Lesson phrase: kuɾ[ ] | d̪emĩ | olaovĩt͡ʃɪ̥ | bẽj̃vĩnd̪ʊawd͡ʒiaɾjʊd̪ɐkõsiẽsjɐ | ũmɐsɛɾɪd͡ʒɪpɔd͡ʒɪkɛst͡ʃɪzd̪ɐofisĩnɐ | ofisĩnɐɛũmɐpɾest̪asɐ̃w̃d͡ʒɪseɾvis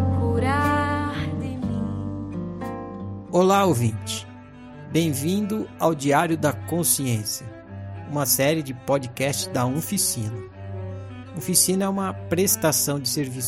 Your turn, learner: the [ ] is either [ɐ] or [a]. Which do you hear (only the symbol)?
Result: a